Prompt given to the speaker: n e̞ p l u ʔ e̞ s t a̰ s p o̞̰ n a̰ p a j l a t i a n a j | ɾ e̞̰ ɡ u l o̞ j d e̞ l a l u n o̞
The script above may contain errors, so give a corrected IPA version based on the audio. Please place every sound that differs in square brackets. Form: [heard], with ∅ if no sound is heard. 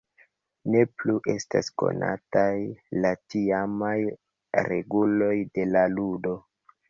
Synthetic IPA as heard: n e̞ p l u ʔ e̞ s t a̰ s [k] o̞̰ n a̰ [t] a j l a t i a [m] a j | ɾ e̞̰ ɡ u l o̞ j d e̞ l a l u [d] o̞